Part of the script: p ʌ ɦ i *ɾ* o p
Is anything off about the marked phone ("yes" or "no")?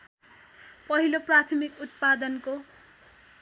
yes